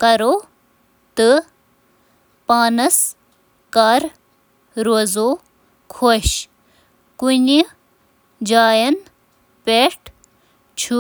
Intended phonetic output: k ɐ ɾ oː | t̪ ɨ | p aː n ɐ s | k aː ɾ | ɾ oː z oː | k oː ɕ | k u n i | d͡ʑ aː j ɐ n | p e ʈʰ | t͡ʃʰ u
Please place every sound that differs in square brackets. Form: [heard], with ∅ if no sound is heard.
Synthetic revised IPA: k ɐ ɾ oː | t̪ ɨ | p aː n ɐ s | k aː ɾ | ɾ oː z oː | [kʰ] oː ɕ | k u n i | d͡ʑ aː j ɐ n | p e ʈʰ | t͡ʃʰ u